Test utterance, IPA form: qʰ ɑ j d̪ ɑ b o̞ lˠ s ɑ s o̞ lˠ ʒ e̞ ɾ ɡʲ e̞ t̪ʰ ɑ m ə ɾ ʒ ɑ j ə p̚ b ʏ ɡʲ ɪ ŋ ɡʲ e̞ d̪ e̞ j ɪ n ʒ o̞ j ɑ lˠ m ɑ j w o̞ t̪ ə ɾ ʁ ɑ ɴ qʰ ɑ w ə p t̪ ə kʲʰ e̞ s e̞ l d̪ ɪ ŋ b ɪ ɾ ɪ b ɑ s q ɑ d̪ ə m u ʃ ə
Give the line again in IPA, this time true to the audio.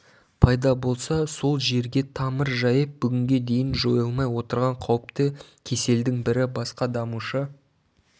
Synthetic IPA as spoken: pʰ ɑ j d̪ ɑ b o̞ lˠ s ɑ s o̞ lˠ ʒ e̞ ɾ ɡʲ e̞ t̪ʰ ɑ m ə ɾ ʒ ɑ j ə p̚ b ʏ ɡʲ ɪ ŋ ɡʲ e̞ d̪ e̞ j ɪ n ʒ o̞ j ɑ lˠ m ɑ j w o̞ t̪ ə ɾ ʁ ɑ ɴ qʰ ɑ w ə p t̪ ə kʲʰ e̞ s e̞ l d̪ ɪ ŋ b ɪ ɾ ɪ b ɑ s q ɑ d̪ ɑ m u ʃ ə